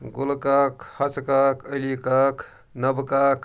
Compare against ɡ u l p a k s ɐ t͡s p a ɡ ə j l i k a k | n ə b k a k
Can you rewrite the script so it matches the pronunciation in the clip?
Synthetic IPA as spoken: ɡ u l k a k h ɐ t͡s k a k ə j l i k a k | n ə b k a k